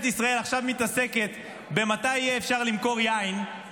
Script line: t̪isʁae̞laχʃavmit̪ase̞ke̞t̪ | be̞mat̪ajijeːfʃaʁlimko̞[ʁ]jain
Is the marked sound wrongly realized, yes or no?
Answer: no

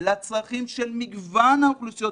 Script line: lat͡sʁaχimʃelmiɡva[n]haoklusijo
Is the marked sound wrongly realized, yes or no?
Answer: no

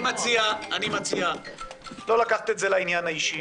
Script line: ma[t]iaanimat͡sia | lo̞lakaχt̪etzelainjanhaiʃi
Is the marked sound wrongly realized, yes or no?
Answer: yes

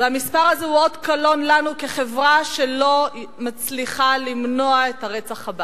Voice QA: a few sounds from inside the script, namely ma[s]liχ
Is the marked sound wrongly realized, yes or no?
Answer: yes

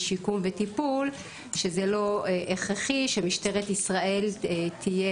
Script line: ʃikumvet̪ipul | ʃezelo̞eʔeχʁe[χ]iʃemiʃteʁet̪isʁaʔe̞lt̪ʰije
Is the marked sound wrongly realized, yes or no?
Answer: no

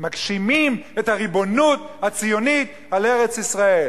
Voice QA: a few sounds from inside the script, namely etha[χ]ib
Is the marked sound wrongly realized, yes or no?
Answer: yes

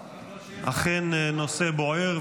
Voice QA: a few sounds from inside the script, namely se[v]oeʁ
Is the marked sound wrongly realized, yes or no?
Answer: yes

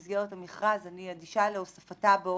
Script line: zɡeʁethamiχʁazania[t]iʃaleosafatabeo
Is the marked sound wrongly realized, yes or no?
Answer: yes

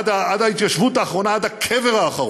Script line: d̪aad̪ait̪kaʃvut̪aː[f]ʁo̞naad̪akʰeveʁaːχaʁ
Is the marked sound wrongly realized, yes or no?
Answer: yes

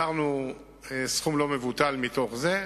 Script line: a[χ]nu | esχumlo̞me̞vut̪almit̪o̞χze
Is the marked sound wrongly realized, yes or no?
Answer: yes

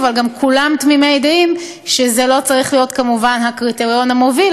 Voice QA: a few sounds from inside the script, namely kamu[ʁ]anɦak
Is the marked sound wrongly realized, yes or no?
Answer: yes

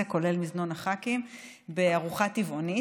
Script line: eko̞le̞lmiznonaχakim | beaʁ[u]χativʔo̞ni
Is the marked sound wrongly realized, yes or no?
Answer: no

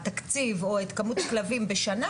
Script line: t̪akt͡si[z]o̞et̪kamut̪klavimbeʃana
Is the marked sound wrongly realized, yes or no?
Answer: yes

